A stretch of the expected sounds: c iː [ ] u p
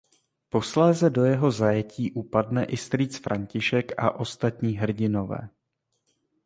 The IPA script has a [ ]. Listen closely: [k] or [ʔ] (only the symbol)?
ʔ